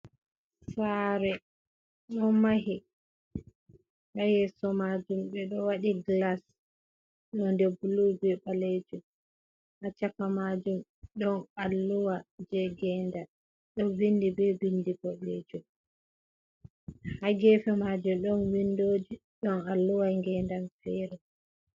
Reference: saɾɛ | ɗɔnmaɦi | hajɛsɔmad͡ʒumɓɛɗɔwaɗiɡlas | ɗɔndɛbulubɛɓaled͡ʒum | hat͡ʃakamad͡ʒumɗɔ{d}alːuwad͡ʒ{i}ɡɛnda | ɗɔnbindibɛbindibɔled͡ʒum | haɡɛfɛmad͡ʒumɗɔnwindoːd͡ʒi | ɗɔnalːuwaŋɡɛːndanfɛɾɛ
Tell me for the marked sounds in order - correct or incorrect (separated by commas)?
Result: incorrect, incorrect